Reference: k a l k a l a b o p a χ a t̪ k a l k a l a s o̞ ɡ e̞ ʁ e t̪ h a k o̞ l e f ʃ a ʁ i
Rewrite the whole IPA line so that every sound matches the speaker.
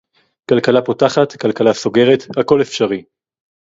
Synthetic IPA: k a l k a l a p o t a χ a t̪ k a l k a l a s o̞ ɡ e̞ ʁ e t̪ h a k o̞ l e f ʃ a ʁ i